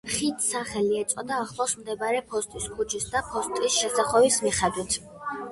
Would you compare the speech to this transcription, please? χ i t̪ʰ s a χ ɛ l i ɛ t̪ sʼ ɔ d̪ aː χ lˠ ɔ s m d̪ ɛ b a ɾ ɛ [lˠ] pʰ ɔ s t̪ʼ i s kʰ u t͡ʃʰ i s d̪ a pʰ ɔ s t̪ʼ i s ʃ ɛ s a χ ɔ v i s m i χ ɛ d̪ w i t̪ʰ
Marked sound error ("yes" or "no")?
yes